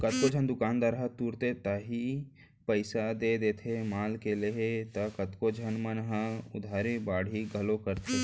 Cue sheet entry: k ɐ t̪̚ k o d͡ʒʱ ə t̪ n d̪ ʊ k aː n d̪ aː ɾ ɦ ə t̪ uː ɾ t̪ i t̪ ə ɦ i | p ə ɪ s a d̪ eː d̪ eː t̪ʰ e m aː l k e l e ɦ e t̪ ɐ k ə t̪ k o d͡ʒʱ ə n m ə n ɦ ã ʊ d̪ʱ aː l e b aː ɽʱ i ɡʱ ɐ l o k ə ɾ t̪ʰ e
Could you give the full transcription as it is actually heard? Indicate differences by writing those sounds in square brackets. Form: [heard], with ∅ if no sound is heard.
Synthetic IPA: k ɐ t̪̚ k o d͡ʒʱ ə [∅] n d̪ ʊ k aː n d̪ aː ɾ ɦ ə t̪ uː ɾ t̪ [e] t̪ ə ɦ i | p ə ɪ s a d̪ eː d̪ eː t̪ʰ e m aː l k e l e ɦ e t̪ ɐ k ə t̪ k o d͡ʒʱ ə n m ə n ɦ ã ʊ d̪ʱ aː [ɾ] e b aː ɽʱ i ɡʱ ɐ l o k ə ɾ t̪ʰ e